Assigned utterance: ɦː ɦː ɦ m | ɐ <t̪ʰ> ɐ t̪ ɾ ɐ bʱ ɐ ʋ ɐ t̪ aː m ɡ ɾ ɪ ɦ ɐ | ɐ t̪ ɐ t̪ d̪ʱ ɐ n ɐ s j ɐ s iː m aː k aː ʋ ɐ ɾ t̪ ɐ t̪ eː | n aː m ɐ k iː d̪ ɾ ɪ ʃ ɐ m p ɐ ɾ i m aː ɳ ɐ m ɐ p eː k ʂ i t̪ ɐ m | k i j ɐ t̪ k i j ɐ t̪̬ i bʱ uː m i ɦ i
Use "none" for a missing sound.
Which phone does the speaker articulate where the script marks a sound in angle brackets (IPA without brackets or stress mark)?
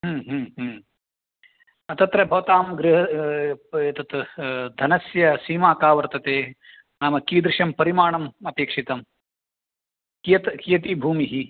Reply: t̪